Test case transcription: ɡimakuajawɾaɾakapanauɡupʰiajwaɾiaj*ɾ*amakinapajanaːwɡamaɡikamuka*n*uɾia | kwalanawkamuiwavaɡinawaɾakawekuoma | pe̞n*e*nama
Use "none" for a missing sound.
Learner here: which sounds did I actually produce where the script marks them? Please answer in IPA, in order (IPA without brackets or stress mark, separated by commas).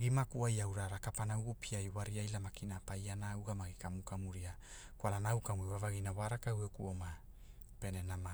l, m, e